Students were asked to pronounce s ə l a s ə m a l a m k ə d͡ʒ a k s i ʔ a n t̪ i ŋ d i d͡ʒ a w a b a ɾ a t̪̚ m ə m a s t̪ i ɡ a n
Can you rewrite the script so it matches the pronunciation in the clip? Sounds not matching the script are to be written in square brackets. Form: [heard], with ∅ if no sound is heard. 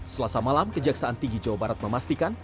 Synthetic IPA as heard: s ə l a s [a] m a l a m k ə d͡ʒ a k s [a] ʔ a n t̪ i ŋ [ɡ] i d͡ʒ a w a b a ɾ a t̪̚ m ə m a s t̪ i [k] a n